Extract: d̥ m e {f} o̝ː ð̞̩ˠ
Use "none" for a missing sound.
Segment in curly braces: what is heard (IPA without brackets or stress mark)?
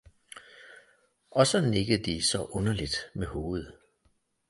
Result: h